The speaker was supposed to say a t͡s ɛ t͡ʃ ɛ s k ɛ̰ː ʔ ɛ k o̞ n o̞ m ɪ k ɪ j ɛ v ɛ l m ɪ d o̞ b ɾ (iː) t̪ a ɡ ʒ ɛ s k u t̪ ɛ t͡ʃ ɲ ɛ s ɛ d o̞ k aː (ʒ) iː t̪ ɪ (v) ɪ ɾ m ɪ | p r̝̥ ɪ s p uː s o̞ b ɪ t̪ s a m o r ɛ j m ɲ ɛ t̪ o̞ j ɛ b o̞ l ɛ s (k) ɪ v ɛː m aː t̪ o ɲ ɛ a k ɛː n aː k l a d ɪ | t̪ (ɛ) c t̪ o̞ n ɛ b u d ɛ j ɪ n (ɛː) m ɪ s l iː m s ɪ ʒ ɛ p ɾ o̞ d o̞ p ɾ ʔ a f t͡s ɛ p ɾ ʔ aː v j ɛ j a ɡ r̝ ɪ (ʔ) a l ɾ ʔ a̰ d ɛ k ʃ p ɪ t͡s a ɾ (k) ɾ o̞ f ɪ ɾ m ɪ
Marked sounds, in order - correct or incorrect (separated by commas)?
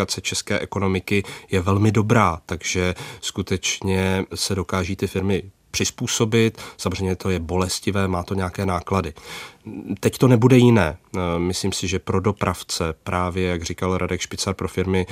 incorrect, correct, incorrect, incorrect, correct, correct, incorrect, incorrect